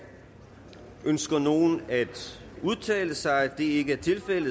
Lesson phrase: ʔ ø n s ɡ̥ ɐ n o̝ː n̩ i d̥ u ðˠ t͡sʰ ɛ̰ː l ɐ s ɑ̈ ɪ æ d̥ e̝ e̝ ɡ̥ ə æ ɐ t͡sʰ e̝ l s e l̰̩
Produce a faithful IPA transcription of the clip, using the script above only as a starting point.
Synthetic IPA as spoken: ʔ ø n s ɡ̥ ɐ n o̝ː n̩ æ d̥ u ðˠ t͡sʰ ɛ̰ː l ə s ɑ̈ ɪ æ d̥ e̝ e̝ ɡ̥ ə æ ɐ t͡sʰ e̝ l f e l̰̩